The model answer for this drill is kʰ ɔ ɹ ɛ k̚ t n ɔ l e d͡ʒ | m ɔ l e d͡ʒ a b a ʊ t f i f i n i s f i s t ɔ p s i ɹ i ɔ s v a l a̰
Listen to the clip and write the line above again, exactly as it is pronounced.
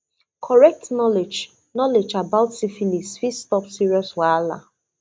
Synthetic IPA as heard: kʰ ɔ ɹ ɛ k̚ t n ɔ l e d͡ʒ | n ɔ l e d͡ʒ a b a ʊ t s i f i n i s f i s t ɔ p s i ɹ i ɔ s w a l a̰